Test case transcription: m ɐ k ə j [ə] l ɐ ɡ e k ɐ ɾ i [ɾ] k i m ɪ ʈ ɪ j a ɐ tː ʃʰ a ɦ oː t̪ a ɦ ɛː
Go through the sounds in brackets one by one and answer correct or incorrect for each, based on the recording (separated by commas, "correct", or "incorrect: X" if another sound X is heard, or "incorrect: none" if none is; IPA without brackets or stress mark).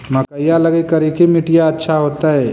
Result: incorrect: a, incorrect: none